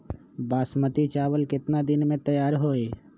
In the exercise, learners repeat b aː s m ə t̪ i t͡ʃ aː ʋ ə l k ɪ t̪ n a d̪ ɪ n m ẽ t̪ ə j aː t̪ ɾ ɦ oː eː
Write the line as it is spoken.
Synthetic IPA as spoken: b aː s m ə t̪ i t͡ʃ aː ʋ ə l k ɪ t̪ n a d̪ ɪ n m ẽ t̪ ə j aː ɾ ɦ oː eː